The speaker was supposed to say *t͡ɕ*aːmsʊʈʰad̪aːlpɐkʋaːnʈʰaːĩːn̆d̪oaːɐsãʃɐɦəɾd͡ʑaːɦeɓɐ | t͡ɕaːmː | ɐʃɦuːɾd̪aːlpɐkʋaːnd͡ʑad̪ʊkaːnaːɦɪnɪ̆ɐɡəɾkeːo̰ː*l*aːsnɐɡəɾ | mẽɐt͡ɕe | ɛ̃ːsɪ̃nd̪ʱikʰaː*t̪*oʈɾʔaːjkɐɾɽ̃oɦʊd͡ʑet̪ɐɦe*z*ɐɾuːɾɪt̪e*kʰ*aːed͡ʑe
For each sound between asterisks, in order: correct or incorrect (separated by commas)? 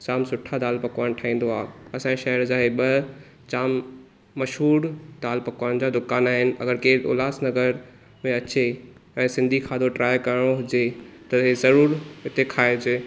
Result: correct, correct, incorrect, correct, correct